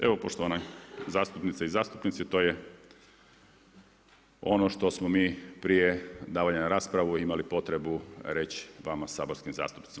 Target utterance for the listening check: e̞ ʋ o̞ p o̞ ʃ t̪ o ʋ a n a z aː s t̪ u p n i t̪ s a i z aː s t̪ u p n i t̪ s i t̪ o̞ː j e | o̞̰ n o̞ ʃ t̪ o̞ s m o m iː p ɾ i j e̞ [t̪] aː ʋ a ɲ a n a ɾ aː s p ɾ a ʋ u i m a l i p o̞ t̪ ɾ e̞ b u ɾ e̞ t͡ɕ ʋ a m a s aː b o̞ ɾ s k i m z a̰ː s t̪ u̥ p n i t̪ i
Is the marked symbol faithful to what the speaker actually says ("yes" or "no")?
no